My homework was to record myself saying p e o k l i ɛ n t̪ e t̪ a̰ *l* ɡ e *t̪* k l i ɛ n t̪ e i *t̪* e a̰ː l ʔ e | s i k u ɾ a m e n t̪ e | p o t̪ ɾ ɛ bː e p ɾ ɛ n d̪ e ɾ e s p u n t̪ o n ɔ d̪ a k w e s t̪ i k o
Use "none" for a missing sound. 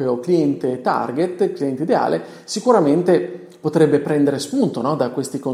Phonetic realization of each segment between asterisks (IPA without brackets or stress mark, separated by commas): r, t̪, d̪